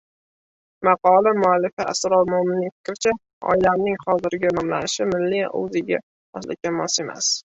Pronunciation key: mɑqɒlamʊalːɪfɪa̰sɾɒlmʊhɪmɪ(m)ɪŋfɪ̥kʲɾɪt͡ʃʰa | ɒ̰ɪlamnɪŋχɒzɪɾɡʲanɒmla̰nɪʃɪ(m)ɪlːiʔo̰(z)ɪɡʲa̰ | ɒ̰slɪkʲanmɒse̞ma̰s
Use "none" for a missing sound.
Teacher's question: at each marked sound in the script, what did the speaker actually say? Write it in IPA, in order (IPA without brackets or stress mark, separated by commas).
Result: n, m, z